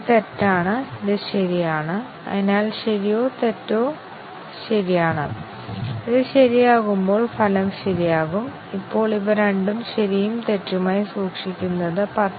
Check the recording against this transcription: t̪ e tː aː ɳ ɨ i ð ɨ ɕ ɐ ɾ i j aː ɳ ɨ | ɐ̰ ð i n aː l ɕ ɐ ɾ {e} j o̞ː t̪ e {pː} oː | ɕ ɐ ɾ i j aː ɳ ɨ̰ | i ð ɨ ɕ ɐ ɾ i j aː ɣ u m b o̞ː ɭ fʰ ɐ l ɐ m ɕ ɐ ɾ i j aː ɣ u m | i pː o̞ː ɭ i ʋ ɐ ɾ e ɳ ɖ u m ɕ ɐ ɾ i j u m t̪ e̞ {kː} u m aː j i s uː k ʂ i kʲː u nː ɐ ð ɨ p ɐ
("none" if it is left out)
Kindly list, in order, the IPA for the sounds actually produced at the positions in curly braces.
i, tː, tː

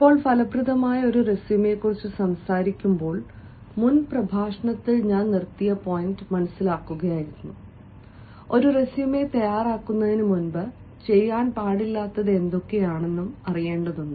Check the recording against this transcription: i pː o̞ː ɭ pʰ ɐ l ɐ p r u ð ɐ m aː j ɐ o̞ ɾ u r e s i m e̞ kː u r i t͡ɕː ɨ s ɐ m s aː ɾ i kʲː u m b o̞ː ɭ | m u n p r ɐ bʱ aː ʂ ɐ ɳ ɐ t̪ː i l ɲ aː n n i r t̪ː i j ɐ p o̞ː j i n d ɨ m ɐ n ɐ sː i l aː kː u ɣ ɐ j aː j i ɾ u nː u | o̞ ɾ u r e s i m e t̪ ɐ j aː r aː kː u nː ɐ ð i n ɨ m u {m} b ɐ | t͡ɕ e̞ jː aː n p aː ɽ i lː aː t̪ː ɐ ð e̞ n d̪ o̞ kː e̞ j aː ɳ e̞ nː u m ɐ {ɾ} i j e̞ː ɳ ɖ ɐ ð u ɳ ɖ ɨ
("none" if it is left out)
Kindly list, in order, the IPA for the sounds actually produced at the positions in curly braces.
n, r

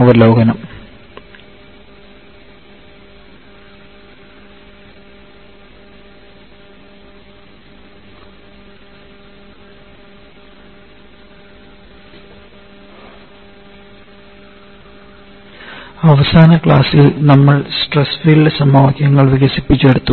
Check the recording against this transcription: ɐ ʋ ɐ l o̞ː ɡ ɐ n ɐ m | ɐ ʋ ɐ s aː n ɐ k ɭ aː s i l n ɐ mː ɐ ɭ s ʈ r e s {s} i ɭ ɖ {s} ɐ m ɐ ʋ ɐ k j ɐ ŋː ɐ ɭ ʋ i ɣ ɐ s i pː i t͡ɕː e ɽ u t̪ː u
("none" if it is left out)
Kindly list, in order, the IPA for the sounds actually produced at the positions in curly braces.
f, s

